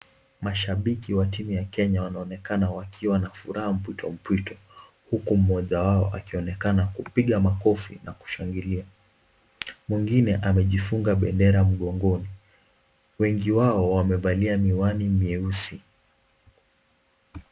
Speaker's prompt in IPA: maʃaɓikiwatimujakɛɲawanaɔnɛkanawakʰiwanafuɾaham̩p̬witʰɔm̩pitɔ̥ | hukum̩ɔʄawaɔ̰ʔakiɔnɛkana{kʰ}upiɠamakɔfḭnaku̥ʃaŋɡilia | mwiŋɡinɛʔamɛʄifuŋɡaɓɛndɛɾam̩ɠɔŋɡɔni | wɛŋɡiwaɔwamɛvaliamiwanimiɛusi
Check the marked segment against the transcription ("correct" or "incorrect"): incorrect